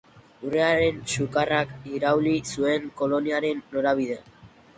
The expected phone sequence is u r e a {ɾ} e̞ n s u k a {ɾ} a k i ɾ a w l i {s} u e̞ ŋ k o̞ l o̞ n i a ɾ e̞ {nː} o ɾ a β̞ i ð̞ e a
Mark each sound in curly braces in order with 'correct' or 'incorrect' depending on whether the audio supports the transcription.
correct, incorrect, correct, correct

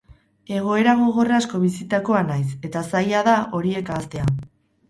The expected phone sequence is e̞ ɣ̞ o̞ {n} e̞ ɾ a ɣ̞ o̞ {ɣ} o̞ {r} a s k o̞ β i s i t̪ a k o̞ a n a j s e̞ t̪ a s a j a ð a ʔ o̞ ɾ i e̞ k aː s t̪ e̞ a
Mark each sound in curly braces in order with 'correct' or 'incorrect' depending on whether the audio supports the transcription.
incorrect, correct, correct

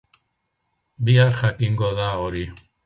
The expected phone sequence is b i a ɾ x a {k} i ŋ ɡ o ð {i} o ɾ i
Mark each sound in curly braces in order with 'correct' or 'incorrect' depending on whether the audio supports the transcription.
correct, incorrect

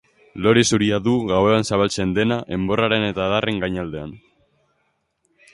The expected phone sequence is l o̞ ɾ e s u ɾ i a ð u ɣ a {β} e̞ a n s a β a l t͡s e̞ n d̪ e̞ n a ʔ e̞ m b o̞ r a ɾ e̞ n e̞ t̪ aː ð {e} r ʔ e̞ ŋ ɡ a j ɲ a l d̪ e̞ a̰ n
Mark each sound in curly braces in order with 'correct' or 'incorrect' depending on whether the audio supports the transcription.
incorrect, incorrect

